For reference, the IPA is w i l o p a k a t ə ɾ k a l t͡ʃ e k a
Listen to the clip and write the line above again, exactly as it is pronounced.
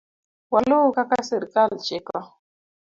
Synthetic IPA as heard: w a l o k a k a s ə ɾ k a l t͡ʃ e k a